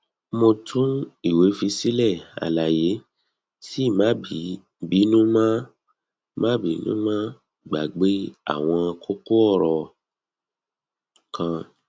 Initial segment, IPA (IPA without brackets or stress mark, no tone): m